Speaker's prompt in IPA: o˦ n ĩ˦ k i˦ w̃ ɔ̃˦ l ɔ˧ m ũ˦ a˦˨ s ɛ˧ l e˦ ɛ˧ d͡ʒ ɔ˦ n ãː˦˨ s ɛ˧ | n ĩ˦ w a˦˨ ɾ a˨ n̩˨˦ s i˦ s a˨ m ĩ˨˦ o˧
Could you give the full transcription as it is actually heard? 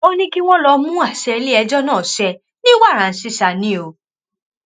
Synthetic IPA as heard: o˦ n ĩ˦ k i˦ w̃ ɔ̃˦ l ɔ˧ m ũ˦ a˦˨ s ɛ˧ l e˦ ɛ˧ d͡ʒ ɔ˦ n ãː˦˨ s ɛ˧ | n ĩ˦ w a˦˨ ɾ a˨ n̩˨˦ s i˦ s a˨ n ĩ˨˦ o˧